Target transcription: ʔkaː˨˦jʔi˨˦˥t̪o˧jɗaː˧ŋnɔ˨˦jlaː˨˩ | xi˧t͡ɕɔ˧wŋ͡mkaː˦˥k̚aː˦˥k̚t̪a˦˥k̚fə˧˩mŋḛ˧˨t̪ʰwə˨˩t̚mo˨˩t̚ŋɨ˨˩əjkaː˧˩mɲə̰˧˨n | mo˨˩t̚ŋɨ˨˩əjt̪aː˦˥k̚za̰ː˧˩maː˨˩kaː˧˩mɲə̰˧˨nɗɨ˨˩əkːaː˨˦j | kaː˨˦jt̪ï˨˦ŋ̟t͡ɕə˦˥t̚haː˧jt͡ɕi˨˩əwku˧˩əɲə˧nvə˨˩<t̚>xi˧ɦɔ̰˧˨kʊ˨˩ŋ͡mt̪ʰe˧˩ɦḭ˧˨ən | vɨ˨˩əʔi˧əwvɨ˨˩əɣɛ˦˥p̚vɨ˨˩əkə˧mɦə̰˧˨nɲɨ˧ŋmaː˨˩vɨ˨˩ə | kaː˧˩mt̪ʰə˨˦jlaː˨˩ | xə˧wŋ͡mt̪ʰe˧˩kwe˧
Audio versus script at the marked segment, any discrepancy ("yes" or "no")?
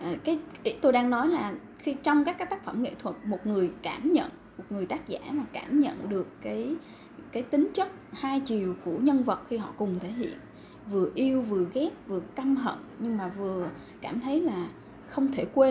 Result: no